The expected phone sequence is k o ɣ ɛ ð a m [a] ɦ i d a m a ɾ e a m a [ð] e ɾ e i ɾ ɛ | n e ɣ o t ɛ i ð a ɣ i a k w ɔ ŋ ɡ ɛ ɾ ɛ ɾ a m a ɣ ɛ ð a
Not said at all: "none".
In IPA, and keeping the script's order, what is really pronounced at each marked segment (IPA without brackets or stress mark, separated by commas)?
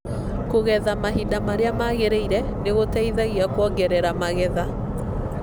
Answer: a, ɣ